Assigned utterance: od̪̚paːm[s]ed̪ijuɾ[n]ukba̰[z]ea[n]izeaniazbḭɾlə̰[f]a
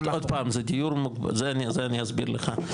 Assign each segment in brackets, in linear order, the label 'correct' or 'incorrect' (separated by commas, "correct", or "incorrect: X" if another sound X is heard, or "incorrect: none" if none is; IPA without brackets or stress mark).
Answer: incorrect: z, incorrect: m, correct, correct, incorrect: χ